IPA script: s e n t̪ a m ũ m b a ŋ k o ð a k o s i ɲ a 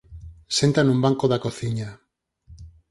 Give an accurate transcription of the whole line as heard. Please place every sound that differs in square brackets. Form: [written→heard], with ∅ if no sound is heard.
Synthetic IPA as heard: s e n t̪ a [m→n] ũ m b a ŋ k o ð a k o [s→θ] i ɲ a